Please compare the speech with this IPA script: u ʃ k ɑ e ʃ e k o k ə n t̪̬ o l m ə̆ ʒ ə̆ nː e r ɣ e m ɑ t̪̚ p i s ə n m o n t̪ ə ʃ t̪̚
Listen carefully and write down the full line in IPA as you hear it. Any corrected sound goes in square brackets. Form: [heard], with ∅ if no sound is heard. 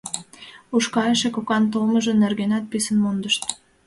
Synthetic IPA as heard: u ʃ k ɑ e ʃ e k o k [ɑ] n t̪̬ o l m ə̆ ʒ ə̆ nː e r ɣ e [n] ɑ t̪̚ p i s ə n m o n [d̪] ə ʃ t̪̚